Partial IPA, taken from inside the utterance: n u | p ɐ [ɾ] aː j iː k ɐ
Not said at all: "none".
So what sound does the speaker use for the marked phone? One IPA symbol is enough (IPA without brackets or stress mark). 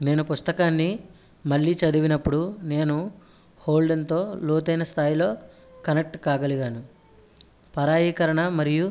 ɾ